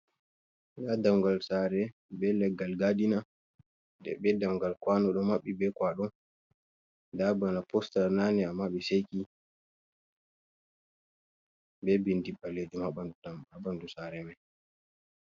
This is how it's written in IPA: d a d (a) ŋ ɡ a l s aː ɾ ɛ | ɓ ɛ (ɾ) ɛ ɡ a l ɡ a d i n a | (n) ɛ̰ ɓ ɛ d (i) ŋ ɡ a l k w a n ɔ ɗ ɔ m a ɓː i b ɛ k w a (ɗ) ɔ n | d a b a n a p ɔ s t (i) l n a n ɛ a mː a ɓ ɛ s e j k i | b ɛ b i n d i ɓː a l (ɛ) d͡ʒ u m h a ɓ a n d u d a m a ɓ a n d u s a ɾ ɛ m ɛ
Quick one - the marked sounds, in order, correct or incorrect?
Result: correct, incorrect, incorrect, incorrect, correct, incorrect, incorrect

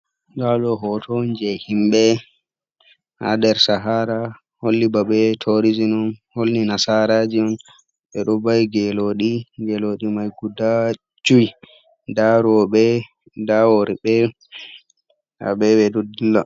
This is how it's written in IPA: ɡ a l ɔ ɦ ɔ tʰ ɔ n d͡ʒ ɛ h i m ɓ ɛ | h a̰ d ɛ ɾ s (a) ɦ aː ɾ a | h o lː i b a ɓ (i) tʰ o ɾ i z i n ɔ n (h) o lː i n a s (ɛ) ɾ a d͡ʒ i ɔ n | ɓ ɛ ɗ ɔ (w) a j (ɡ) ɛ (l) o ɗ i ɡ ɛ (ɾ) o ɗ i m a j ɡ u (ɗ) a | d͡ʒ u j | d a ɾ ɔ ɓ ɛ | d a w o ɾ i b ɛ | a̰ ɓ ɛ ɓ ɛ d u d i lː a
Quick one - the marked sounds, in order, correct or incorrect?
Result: correct, incorrect, correct, incorrect, incorrect, correct, correct, incorrect, incorrect

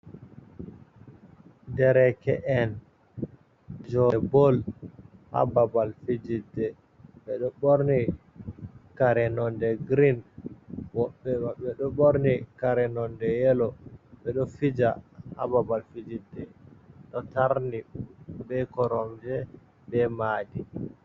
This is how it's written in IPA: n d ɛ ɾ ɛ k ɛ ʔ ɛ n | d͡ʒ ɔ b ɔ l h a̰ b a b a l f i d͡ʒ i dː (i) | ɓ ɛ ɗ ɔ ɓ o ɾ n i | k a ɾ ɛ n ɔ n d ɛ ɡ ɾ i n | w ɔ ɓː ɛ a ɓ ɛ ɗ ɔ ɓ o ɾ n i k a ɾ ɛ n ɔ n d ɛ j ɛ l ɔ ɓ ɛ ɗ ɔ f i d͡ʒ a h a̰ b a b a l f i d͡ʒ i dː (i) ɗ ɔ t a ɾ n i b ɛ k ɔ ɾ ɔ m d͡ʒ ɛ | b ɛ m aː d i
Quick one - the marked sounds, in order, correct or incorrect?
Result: incorrect, incorrect

